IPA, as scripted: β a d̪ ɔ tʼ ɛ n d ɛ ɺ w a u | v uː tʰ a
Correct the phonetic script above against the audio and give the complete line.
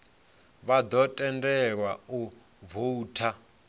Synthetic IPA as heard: β a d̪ ɔ tʼ ɛ n d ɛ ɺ w a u | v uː tʰ a